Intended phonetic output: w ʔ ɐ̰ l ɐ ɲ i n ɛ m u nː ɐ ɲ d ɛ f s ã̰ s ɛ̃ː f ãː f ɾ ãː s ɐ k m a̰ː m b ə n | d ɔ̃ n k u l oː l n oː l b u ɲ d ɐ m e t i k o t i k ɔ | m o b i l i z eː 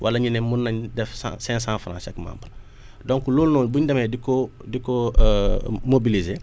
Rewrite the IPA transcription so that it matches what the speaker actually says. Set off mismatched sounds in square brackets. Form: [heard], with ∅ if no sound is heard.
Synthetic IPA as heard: w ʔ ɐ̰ l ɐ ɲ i n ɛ m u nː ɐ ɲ d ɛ f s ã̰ s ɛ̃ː [s] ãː f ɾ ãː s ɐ k m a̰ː m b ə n | d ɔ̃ [ŋ] k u l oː l n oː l b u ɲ d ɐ m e [d] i k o [d] i k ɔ | m o b i l i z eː

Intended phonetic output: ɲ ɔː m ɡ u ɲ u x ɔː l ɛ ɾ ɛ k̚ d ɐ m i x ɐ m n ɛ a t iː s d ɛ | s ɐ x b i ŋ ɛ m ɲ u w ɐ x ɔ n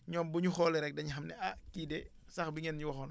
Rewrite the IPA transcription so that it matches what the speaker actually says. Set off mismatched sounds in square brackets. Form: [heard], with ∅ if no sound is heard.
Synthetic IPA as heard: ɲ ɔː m [b] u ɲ u x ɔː l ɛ ɾ ɛ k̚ d ɐ [ɲ] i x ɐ m n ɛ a [k] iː [∅] d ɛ | s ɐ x b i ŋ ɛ [n] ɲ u w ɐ x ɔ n

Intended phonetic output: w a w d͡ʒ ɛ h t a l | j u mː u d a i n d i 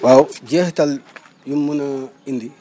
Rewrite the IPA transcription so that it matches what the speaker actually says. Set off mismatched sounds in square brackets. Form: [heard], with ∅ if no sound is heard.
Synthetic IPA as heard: w a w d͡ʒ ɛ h t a l | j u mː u [n] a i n d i

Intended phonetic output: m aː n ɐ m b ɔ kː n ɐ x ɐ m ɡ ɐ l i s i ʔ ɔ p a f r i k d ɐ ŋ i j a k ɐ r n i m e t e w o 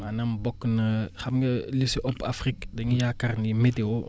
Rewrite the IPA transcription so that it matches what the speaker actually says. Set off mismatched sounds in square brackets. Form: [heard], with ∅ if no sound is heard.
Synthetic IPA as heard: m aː n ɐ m b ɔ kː n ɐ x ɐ m ɡ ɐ l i s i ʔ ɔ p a f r i k d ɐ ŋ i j a k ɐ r n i m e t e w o

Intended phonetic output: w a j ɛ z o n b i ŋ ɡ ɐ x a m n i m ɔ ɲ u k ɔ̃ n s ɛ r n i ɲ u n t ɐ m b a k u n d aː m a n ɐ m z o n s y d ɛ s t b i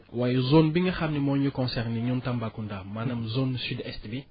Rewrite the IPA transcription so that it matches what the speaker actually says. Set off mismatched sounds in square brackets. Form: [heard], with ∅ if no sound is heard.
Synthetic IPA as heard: w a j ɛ z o n b i ŋ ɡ ɐ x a m n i m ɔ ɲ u k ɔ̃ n s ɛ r n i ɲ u n t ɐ m b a k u n d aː m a n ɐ m z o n s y d ɛ s t b i

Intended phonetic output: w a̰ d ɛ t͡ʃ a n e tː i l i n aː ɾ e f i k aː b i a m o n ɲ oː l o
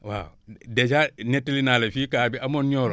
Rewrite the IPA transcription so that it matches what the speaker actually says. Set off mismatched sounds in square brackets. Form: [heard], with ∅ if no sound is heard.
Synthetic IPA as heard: w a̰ d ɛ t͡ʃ a n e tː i l i n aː [l] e f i k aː b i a m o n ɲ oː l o

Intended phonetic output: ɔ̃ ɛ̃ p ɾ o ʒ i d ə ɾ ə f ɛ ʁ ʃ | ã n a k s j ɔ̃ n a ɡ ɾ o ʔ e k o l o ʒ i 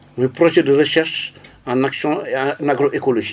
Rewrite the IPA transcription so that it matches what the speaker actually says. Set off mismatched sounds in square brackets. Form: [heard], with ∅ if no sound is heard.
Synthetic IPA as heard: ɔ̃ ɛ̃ p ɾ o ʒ [ɛ] d ə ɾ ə [ʃ] ɛ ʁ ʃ | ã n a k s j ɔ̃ n a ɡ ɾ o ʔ e k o l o ʒ i

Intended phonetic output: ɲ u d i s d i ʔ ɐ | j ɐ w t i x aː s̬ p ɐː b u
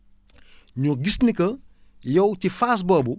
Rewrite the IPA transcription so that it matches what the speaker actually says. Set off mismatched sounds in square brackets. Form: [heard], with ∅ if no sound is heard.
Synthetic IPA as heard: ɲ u [ɡ] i s [n] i [k] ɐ | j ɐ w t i [f] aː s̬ [b] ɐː b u

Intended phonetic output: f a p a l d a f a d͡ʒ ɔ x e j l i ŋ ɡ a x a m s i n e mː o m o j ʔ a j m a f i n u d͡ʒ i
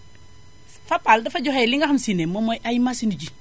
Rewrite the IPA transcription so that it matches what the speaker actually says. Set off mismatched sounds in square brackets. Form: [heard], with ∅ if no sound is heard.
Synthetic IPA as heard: f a p a l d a f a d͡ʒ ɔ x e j l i ŋ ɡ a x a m s i n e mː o m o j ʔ a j m a [s] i n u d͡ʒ i

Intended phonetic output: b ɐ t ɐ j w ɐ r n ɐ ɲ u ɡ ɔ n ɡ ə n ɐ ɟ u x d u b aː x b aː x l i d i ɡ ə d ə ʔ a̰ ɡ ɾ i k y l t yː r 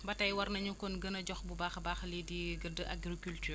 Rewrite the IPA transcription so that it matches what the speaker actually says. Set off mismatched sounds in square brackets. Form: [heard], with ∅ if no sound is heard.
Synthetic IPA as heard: b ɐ t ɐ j w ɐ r n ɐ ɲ u [k] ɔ n ɡ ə n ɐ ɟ [ɔ] x [b] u b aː x b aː x l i d i ɡ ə d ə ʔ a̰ ɡ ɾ i k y l t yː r

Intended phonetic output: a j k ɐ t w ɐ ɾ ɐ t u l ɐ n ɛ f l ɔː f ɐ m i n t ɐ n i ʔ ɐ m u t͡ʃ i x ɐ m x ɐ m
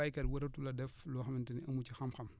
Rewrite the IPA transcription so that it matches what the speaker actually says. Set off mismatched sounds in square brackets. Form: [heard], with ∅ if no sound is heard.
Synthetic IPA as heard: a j k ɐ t w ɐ ɾ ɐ t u l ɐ [d] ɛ f l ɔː [x] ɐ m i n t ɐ n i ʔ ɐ m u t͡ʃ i x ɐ m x ɐ m

